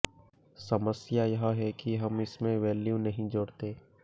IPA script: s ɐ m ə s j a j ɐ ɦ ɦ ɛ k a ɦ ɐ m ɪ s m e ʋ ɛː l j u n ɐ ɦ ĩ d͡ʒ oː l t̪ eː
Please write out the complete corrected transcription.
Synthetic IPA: s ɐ m ə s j a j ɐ ɦ ɦ ɛ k i ɦ ɐ m ɪ s m ẽ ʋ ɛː l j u n ɐ ɦ ĩ d͡ʒ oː ɽ t̪ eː

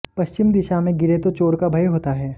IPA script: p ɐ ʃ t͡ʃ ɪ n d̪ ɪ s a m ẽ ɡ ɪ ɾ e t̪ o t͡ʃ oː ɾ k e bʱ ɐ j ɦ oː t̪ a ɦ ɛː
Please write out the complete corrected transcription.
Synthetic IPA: p ɐ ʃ t͡ʃ ɪ m d̪ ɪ ʃ a m ẽ ɡ ɪ ɾ e t̪ o t͡ʃ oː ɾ k a bʱ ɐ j ɦ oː t̪ a ɦ ɛː

